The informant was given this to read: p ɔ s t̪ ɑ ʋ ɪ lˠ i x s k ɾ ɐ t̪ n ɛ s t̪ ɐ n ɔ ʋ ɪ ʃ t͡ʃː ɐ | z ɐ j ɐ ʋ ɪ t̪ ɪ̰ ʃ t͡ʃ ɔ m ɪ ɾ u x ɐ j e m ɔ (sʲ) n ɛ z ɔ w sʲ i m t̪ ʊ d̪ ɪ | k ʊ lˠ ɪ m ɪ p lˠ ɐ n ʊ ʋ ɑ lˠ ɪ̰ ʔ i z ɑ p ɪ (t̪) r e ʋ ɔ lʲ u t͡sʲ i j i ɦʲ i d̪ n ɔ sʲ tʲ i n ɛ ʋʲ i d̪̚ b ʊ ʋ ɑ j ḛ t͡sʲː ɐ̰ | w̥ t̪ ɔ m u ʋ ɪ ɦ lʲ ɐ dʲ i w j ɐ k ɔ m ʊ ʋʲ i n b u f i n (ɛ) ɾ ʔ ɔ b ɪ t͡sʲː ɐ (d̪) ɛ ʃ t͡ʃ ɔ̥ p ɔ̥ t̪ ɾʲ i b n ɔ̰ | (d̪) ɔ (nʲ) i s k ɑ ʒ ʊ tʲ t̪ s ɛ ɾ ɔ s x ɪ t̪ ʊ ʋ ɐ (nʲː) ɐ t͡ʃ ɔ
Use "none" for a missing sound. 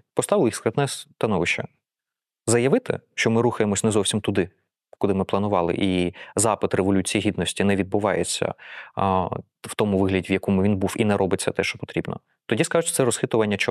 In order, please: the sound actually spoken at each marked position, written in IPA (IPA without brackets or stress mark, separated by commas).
sʲ, t̪, ɛ, t̪, t̪, dʲ, nʲː